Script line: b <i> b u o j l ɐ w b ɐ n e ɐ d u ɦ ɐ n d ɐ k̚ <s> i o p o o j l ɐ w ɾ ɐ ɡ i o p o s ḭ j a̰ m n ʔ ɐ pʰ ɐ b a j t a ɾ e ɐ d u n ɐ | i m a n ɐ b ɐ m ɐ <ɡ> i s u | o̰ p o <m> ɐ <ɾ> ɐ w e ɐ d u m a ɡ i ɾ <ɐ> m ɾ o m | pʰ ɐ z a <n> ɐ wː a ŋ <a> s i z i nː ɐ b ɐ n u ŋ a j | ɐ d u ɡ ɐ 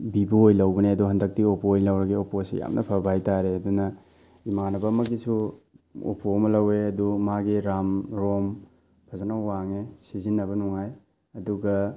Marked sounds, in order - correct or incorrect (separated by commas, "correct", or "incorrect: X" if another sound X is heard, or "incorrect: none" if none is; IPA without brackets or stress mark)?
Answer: correct, incorrect: t, correct, correct, incorrect: l, incorrect: a, correct, incorrect: e